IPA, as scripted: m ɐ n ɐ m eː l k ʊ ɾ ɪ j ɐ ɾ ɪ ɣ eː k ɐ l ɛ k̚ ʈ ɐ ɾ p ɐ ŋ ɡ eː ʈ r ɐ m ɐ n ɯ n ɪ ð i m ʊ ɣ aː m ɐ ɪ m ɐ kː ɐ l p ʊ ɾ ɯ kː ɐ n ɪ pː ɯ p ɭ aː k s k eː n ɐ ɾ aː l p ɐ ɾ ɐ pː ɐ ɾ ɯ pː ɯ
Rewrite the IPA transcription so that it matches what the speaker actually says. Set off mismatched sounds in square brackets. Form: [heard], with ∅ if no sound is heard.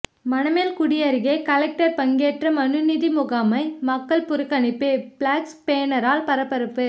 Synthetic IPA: m ɐ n ɐ m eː l k ʊ [ɽ] ɪ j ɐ ɾ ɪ ɣ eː k ɐ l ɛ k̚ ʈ ɐ ɾ p ɐ ŋ ɡ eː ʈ r ɐ m ɐ n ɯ n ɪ ð i m ʊ ɣ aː m ɐ ɪ m ɐ kː ɐ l p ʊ ɾ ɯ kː ɐ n ɪ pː ɯ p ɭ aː k s [p] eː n ɐ ɾ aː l p ɐ ɾ ɐ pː ɐ ɾ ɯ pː ɯ